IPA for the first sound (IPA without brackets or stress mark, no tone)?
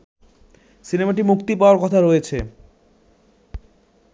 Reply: s